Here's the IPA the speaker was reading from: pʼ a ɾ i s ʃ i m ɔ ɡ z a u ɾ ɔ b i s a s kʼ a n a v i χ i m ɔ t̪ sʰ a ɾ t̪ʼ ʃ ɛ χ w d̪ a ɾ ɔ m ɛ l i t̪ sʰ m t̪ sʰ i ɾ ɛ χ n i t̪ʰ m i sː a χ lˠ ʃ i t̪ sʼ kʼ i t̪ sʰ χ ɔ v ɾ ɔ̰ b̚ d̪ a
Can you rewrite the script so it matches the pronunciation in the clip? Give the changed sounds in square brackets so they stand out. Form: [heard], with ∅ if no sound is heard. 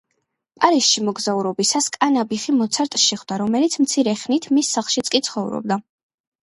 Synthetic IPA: pʼ a ɾ i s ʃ i m ɔ ɡ z a u ɾ ɔ b i s a s kʼ a n a [b] i χ i m ɔ t̪ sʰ a ɾ t̪ʼ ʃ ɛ χ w d̪ a ɾ ɔ m ɛ l i t̪ sʰ m t̪ sʰ i ɾ ɛ χ n i t̪ʰ m i sː a χ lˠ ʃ i t̪ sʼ kʼ i t̪ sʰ χ ɔ v ɾ ɔ̰ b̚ d̪ a